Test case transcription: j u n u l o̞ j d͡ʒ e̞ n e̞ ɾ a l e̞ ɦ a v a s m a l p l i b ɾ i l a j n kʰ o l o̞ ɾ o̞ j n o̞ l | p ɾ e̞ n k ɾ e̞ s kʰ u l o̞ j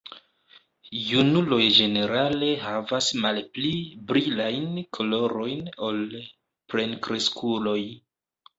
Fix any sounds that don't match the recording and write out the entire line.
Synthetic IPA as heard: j u n u l o̞ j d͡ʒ e̞ n e̞ ɾ a l e̞ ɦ a v a s m a l p l i b ɾ i l a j n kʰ o l o̞ ɾ o̞ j n o̞ l | p ɾ e̞ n k ɾ e̞ s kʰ u l o̞ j